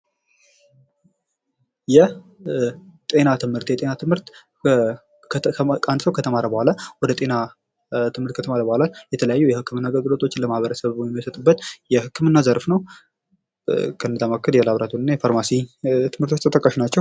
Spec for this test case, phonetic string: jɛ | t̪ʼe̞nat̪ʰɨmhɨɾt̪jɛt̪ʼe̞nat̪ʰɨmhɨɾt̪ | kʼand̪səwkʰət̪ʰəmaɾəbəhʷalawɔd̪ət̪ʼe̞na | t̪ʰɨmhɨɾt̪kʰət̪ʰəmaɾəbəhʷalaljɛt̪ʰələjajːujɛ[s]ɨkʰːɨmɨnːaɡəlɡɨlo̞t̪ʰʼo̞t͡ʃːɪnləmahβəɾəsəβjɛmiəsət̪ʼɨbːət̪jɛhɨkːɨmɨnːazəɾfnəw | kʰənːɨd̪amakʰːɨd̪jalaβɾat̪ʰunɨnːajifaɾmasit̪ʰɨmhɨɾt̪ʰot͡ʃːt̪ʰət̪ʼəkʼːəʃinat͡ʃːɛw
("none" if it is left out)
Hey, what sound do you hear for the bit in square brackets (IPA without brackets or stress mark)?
h